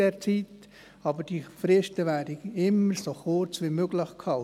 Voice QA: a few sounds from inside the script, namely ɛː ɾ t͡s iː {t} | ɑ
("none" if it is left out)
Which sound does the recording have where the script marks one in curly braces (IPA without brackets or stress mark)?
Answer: t